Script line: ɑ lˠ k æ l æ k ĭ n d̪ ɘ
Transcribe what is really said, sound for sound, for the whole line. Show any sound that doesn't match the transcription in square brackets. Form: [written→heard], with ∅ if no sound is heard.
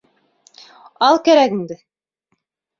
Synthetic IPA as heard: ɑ lˠ k æ [l→ɾ] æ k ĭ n d̪ ɘ